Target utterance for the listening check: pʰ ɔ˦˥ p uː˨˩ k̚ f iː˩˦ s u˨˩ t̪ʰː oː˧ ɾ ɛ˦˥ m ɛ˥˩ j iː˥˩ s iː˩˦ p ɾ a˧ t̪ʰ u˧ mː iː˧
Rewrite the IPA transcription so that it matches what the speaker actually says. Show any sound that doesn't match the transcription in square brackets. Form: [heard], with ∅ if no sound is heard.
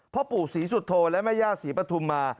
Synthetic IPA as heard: pʰ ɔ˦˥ p uː˨˩ k̚ [s] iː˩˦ s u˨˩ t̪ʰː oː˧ [l] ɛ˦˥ m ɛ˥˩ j [aː˥˩] s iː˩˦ p ɾ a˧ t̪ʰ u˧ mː [aː˧]